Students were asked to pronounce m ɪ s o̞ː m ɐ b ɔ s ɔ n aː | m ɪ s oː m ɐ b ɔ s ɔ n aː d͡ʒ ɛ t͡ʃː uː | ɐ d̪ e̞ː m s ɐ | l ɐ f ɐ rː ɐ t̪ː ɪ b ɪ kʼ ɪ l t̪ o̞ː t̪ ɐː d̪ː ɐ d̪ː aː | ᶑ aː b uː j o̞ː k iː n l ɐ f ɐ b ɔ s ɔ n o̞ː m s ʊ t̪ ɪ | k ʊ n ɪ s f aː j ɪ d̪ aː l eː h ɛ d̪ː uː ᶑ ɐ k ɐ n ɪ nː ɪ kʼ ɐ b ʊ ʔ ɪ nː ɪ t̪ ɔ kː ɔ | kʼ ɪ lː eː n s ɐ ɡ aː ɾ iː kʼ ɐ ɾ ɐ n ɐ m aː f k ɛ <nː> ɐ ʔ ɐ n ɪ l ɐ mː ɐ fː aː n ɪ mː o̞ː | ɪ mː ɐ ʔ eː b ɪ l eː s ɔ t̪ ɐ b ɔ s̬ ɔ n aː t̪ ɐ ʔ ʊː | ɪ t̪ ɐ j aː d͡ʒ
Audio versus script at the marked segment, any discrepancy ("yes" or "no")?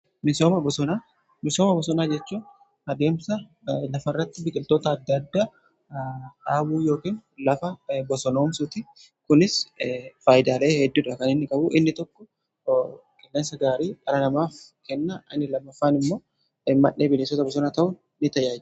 no